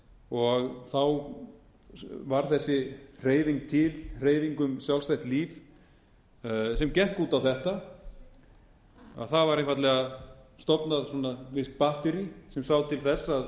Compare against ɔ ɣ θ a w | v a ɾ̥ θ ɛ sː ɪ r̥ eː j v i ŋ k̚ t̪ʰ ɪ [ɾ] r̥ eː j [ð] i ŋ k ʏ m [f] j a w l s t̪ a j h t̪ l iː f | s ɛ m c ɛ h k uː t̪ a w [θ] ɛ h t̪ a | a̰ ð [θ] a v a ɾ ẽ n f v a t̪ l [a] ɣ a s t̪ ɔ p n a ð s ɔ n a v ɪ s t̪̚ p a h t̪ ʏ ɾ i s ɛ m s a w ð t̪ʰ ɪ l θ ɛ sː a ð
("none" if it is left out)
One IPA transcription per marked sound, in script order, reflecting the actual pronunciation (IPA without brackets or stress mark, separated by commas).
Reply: l, v, s, θ, θ, ɛ